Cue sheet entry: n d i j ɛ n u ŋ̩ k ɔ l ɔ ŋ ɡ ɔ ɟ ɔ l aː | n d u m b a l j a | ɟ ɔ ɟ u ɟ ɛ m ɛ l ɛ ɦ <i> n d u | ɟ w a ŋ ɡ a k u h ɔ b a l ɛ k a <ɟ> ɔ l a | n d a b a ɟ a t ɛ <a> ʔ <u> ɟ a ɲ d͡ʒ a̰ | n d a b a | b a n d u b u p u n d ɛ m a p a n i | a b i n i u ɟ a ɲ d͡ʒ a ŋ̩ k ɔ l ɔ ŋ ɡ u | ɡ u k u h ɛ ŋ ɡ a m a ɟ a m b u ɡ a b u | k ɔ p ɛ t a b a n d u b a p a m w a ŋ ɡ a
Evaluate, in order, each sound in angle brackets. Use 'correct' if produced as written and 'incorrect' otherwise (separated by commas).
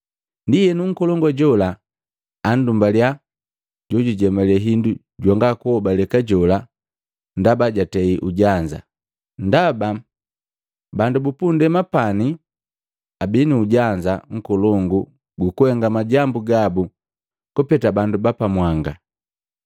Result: correct, correct, incorrect, correct